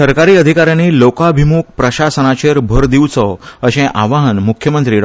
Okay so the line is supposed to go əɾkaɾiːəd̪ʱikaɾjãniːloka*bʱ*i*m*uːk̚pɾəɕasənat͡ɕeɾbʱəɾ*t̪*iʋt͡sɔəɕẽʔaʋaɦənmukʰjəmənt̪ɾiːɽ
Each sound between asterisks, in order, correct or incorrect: correct, correct, incorrect

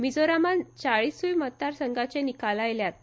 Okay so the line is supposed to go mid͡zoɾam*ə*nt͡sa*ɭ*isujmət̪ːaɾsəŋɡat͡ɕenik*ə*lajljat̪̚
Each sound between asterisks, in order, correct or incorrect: incorrect, correct, incorrect

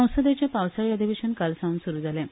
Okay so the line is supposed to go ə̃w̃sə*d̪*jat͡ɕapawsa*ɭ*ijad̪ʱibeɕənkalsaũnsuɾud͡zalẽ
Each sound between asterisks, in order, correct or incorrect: correct, correct

